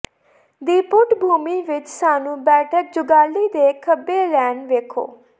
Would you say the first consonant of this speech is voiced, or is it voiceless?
voiced